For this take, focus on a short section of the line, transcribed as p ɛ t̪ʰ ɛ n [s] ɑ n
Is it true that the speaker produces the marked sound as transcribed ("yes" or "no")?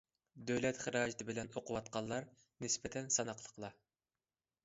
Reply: yes